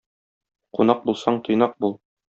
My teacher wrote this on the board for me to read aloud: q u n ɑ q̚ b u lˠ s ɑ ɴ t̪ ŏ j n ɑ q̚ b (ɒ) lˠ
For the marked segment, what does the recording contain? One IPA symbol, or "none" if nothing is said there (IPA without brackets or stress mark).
u